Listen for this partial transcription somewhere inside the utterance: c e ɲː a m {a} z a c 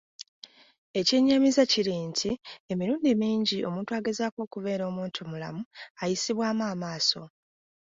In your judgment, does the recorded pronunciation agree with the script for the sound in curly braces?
no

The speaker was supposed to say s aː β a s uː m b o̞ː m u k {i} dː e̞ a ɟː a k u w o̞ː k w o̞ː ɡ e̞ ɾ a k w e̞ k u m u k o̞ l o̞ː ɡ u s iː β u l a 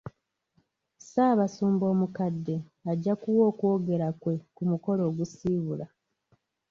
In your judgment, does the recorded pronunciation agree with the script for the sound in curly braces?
no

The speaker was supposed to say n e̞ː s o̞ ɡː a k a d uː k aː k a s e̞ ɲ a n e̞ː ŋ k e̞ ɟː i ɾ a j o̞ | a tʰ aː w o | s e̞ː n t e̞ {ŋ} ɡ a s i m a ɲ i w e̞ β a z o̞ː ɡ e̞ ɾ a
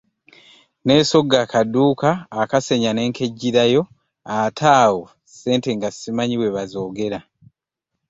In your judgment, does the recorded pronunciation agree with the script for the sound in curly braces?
yes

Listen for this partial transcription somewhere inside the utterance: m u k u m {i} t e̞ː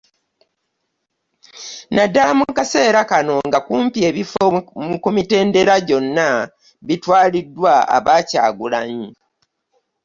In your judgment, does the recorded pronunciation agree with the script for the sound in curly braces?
yes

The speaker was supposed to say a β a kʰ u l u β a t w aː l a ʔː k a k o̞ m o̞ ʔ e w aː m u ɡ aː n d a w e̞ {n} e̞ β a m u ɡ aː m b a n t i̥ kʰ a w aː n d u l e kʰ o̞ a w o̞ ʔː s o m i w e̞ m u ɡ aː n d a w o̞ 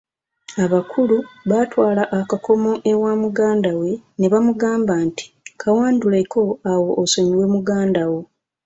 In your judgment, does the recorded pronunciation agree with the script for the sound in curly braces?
yes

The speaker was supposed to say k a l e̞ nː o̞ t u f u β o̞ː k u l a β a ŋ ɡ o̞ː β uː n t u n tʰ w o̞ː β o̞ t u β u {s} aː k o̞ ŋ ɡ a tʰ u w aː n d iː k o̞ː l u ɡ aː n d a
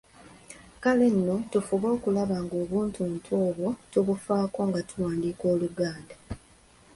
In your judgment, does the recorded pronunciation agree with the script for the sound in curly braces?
no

